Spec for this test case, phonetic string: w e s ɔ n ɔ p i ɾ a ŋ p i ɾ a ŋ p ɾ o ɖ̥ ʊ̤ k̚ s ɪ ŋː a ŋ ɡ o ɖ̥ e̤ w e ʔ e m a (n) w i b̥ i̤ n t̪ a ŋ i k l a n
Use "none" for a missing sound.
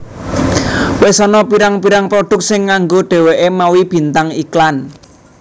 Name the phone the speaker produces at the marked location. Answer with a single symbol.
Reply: none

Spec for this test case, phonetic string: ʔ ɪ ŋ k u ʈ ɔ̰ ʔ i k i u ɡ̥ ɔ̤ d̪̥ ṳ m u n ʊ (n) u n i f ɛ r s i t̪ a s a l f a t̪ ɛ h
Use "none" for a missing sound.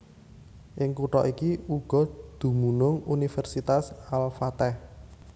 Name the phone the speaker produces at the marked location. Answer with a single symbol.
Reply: ŋ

